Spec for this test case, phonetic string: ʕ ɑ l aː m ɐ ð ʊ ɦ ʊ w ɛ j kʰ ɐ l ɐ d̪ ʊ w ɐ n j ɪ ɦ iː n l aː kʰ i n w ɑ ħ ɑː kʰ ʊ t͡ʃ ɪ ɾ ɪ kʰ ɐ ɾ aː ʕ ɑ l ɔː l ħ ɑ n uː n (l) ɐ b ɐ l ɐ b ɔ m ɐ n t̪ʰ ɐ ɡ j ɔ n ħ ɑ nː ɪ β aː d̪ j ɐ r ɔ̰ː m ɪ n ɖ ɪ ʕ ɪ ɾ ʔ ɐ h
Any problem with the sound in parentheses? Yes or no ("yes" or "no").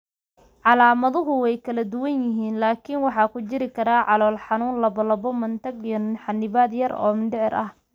no